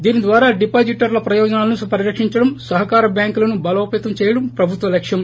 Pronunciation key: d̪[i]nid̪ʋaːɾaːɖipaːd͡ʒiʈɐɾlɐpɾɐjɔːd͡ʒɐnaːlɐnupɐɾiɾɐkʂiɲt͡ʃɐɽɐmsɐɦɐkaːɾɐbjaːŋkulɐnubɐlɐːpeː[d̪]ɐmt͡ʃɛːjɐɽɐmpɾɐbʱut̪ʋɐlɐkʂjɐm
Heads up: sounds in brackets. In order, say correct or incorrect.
incorrect: iː, incorrect: t̪

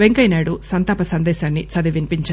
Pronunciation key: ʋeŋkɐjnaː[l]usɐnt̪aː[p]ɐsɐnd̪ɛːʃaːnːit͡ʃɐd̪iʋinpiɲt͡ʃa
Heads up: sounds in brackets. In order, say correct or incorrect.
incorrect: ɽ, correct

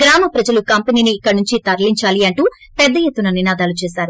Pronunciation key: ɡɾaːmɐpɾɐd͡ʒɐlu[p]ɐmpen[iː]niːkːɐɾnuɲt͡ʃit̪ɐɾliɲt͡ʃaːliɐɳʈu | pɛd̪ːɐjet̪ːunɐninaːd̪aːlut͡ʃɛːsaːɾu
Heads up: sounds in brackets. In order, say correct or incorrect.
incorrect: k, correct

